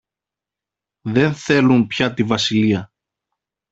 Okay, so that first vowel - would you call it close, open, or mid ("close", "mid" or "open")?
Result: mid